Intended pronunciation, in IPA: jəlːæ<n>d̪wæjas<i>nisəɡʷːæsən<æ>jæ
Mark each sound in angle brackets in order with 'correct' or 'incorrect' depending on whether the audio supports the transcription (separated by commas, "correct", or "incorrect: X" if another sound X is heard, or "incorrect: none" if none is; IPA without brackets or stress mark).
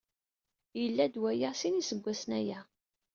incorrect: none, correct, correct